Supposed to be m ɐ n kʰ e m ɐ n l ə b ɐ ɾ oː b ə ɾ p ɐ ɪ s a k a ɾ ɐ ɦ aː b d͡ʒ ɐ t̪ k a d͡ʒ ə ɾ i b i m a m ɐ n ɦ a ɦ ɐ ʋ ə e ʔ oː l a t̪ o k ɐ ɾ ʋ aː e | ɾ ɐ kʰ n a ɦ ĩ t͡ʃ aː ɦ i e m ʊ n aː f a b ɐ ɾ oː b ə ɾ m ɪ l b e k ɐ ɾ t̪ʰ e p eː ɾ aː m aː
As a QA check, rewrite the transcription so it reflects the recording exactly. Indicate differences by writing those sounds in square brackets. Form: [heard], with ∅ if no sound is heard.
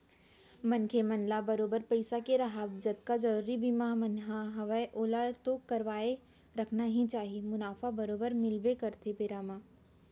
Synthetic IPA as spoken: m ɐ n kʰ e m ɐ n l [a] b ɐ ɾ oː b ə ɾ p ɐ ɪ s a k [e] ɾ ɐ ɦ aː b d͡ʒ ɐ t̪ k a d͡ʒ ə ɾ i b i m a m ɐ n ɦ a ɦ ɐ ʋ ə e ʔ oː l a t̪ o k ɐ ɾ ʋ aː e | ɾ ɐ kʰ n a ɦ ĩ t͡ʃ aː ɦ i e m ʊ n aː f a b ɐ ɾ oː b ə ɾ m ɪ l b e k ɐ ɾ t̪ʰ e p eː ɾ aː m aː